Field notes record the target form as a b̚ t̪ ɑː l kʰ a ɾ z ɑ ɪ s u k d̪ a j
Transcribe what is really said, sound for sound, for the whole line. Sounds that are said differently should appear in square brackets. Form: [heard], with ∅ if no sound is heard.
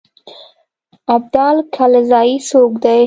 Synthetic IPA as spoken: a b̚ [d̪] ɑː l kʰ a [l] z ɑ [i] s [o] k d̪ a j